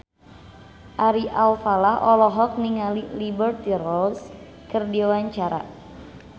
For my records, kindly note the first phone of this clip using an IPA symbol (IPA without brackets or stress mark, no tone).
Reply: ʔ